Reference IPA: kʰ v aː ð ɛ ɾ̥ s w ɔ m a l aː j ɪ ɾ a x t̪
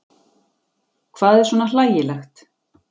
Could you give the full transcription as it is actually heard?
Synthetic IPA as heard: kʰ v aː ð ɛ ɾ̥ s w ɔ n a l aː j ɪ l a x t̪